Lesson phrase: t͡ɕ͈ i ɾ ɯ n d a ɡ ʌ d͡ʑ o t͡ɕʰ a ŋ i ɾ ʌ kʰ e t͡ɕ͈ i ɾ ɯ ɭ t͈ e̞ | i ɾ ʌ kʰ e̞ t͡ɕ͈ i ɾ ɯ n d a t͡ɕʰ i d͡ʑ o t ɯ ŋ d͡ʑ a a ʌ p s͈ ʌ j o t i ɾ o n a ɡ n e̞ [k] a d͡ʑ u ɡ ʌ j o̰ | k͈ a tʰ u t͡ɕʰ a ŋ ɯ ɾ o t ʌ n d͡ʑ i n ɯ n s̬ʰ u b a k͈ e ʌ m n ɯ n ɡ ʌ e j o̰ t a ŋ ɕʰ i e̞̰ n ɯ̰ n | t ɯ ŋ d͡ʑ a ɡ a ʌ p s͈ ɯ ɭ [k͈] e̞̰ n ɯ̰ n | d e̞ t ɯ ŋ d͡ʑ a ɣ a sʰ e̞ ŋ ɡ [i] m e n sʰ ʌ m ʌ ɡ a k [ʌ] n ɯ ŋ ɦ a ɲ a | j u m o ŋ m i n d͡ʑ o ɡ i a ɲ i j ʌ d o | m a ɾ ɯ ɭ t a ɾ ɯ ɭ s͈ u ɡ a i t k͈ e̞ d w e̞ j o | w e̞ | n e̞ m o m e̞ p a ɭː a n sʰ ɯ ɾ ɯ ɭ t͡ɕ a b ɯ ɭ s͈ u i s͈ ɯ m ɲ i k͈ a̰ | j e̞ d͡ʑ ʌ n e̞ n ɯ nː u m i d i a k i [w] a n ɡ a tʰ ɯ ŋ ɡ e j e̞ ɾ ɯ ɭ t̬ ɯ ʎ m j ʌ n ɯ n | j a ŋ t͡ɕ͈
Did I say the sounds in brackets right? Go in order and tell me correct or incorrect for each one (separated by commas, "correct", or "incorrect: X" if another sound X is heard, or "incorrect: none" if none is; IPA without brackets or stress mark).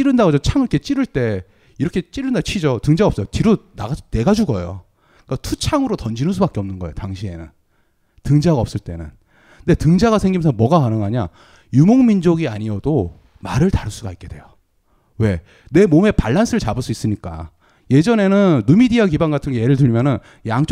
incorrect: ɡ, incorrect: t͈, correct, incorrect: a, incorrect: b